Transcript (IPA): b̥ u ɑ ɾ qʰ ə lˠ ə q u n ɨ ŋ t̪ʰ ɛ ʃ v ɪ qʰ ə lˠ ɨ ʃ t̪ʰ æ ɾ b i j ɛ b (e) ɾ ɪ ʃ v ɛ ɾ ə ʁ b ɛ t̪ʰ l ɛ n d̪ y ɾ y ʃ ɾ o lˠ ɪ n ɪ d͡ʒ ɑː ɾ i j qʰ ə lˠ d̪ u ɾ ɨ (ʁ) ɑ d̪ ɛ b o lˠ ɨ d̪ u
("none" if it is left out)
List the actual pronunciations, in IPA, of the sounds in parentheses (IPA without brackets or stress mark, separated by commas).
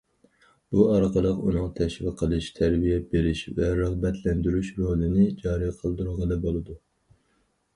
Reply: e, ʁ